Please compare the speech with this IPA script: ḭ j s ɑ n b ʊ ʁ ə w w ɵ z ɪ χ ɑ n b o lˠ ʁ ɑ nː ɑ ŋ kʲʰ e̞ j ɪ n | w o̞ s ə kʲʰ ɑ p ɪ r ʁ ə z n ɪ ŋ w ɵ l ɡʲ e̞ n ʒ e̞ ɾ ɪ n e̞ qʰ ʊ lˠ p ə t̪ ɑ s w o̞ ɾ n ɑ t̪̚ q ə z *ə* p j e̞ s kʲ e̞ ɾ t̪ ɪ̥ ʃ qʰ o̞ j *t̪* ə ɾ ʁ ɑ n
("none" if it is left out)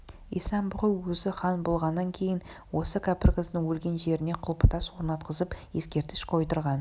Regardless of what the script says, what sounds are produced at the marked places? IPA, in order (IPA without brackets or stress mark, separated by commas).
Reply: ə, t̪